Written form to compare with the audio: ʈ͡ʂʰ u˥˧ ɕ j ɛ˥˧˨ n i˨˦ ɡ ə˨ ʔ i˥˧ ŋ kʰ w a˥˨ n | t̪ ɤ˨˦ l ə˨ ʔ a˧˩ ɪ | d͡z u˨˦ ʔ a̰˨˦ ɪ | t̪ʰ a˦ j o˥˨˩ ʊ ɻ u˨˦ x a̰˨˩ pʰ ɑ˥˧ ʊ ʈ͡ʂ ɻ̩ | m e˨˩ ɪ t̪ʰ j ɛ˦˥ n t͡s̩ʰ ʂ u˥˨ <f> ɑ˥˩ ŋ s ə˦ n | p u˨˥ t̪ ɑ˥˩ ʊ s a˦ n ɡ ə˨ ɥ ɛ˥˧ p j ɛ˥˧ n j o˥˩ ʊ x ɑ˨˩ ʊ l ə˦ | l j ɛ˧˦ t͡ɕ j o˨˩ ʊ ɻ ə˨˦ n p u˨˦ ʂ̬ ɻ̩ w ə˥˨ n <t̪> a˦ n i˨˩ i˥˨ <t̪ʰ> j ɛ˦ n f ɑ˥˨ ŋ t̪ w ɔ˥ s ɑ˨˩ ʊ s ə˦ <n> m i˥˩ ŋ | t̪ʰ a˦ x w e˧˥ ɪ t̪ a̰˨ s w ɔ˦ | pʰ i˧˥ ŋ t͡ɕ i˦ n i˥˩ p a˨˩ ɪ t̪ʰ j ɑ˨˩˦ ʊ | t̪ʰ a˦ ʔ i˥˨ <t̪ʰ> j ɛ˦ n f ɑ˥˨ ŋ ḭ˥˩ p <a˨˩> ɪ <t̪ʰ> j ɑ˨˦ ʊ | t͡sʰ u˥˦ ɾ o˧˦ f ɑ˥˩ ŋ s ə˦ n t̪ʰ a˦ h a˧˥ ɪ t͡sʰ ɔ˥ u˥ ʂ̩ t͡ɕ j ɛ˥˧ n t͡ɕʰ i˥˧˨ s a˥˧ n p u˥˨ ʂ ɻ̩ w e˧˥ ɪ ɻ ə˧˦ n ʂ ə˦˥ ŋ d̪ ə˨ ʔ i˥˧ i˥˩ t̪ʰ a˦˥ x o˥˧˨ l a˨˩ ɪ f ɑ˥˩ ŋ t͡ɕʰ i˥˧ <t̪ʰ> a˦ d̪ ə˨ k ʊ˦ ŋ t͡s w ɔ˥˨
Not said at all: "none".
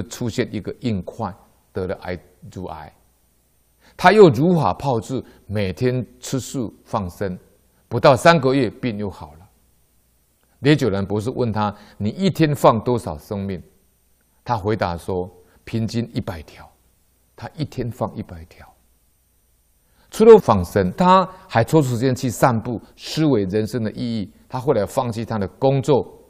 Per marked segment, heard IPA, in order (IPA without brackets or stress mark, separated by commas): f, t̪ʰ, t̪ʰ, ŋ, t̪ʰ, a˨˩, t̪ʰ, t̪ʰ